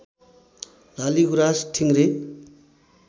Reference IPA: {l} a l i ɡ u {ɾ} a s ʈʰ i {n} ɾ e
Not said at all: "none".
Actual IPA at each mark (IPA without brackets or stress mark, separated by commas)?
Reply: l, ɾ, ŋ